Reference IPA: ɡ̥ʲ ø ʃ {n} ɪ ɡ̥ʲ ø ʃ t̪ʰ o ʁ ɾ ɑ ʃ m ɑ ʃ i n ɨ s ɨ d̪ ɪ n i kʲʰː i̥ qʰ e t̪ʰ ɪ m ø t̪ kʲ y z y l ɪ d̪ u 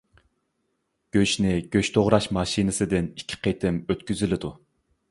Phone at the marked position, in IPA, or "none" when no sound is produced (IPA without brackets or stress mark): n